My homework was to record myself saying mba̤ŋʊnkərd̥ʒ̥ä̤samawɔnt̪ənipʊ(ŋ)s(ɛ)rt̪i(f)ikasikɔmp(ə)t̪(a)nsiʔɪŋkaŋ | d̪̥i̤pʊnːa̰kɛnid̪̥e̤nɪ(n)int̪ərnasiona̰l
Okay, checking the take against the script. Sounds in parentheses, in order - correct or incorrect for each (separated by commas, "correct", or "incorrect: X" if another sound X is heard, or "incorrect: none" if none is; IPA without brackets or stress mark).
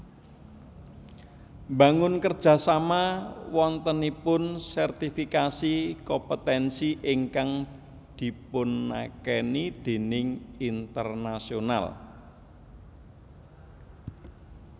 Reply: incorrect: n, correct, correct, correct, incorrect: ɛ, incorrect: ŋ